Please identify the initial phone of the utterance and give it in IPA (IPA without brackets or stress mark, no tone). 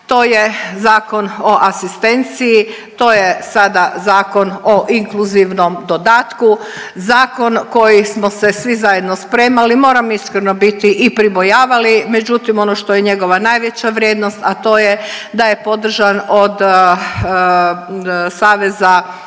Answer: t̪